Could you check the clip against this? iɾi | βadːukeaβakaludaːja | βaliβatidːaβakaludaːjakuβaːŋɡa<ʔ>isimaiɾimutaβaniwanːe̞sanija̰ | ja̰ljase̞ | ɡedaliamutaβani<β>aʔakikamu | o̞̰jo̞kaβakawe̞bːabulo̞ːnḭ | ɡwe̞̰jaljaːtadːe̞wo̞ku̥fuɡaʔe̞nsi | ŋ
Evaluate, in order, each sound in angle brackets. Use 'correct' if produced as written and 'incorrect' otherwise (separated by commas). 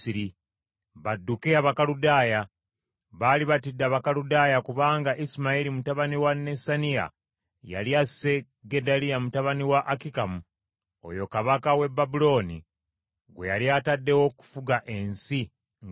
correct, incorrect